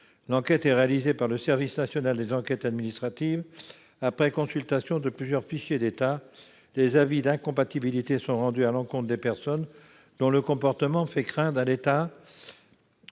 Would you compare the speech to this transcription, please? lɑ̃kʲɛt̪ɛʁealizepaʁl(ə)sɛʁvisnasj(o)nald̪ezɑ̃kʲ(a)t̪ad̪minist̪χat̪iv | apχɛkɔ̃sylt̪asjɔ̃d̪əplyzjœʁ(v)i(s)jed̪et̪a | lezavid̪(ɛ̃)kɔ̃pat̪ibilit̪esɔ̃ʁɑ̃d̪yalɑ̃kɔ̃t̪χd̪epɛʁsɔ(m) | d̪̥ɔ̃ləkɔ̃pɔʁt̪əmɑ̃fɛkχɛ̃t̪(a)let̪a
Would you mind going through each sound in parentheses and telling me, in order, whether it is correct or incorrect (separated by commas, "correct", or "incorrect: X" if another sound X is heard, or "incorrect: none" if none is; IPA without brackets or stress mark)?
correct, incorrect: ɔ, incorrect: ɛ, incorrect: f, incorrect: ʃ, correct, incorrect: n, correct